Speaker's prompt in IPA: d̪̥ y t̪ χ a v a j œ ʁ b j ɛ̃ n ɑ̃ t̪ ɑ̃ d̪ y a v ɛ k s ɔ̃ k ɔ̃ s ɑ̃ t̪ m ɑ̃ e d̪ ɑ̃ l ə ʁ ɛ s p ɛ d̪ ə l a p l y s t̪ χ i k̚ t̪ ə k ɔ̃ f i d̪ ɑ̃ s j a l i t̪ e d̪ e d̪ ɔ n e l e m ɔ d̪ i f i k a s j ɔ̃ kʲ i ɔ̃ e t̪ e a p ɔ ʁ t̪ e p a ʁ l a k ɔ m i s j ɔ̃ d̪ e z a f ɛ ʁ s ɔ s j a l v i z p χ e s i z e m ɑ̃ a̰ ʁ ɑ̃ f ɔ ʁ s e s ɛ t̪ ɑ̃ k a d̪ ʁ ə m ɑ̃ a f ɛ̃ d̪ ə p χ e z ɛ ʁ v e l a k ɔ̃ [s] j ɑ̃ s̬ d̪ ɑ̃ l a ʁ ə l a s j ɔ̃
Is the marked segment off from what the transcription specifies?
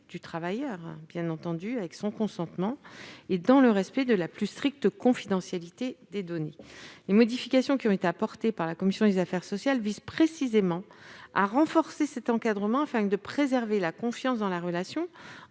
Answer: yes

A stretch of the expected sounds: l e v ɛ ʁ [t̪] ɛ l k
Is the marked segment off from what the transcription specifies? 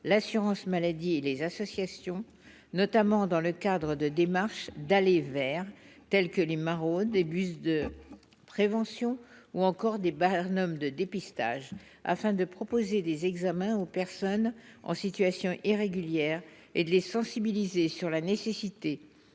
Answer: no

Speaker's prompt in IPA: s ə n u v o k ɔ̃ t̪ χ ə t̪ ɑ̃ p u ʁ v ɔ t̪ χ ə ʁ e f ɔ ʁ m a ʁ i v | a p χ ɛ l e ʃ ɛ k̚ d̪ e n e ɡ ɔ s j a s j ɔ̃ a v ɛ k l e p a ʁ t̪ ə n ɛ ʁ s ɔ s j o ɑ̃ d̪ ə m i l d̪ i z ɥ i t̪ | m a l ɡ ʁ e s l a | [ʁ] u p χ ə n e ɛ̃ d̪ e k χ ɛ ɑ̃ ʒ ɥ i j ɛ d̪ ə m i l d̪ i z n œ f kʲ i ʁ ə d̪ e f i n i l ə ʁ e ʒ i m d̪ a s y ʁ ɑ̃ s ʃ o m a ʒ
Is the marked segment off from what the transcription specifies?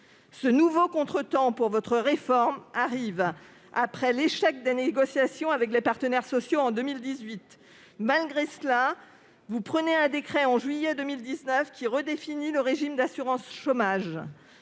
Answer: yes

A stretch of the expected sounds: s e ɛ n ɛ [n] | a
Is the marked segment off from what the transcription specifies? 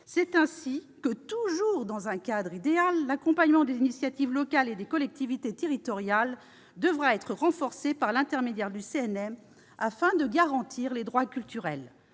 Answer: yes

